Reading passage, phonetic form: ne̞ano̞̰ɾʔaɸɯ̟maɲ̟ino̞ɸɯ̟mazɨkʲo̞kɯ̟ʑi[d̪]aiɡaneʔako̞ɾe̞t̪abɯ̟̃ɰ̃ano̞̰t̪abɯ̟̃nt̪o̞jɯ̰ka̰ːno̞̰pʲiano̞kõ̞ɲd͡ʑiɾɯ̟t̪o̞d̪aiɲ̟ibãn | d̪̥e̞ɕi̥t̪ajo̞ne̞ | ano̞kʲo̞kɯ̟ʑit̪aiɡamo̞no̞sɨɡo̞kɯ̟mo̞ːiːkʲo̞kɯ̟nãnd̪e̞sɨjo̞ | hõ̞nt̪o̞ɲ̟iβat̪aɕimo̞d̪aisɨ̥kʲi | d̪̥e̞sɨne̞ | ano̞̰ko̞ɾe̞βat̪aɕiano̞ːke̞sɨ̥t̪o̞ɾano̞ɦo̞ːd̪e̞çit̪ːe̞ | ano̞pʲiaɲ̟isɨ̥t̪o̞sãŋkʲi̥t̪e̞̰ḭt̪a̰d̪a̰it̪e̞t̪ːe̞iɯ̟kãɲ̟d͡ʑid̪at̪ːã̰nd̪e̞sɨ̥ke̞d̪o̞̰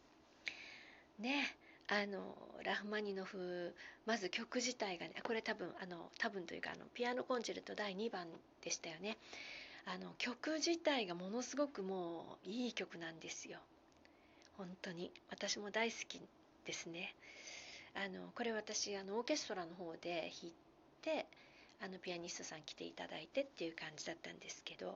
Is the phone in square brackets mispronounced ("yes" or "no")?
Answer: yes